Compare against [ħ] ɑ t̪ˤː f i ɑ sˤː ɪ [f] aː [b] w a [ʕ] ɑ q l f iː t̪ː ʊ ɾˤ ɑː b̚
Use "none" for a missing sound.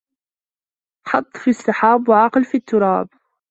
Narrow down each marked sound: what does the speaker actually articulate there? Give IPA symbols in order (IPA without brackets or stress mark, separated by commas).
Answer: ħ, ħ, b, ʕ